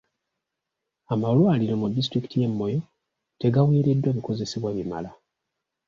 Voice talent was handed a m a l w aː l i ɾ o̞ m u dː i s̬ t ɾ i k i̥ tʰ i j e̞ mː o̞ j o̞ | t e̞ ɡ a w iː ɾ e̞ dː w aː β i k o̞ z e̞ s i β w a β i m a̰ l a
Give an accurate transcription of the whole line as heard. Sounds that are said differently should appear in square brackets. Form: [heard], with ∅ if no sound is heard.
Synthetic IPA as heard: a m a l w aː l i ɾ o̞ m u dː i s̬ t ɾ i k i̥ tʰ i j e̞ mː o̞ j o̞ | t e̞ ɡ a w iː ɾ e̞ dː w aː β i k o̞ z e̞ s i β w a β i m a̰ l a